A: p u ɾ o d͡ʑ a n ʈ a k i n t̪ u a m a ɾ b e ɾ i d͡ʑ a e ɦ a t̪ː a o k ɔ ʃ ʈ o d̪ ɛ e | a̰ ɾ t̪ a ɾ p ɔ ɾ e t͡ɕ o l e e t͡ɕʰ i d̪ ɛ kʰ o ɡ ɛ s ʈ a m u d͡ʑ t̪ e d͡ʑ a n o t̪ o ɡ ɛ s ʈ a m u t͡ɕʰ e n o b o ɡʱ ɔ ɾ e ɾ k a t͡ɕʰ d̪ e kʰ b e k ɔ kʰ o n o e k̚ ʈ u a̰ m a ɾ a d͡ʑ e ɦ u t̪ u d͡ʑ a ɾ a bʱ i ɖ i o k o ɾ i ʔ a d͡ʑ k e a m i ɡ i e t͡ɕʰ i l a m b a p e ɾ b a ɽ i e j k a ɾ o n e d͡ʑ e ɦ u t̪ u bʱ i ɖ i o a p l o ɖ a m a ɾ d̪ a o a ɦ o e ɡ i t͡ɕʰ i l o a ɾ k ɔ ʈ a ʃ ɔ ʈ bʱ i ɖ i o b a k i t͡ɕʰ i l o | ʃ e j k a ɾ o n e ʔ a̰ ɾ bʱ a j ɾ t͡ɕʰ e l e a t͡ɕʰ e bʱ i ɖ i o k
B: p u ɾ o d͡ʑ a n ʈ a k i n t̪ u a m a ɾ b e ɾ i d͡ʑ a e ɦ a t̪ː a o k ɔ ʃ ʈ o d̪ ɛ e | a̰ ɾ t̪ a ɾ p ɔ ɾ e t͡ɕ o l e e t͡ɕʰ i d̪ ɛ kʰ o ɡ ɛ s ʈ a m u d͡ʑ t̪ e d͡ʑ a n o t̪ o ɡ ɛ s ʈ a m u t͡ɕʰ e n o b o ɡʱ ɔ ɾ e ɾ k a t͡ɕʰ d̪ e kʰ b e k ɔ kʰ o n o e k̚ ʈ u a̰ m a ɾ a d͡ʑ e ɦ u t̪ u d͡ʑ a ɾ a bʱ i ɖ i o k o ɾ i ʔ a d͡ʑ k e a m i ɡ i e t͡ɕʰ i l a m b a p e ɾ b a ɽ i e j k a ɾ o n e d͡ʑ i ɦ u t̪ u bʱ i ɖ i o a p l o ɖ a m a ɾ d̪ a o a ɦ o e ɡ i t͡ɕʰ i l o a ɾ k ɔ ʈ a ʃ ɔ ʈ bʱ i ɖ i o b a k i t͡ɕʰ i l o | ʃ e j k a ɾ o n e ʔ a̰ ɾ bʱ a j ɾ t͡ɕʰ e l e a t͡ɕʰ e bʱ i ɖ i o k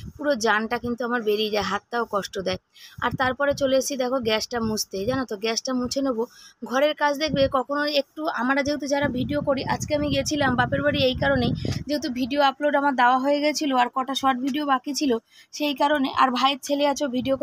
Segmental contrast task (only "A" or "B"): A